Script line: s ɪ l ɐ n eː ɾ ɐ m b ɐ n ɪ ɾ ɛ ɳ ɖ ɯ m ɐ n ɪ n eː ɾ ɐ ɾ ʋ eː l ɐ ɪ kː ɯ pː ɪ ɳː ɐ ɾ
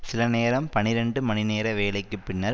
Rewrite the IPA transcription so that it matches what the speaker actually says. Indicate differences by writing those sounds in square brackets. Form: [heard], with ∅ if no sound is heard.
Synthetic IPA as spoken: s ɪ l ɐ n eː ɾ ɐ m [p] ɐ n ɪ ɾ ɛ ɳ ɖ ɯ m ɐ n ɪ n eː ɾ ɐ [∅] ʋ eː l ɐ ɪ kː ɯ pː ɪ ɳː ɐ ɾ